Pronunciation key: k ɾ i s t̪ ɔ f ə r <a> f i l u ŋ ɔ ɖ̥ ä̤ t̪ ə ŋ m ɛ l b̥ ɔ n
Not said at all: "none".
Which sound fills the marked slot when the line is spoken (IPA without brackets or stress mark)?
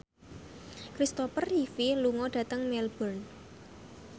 i